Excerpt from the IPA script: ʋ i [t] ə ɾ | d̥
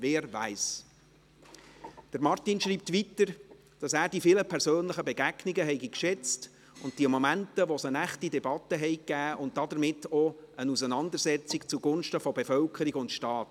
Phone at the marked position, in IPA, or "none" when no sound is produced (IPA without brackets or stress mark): t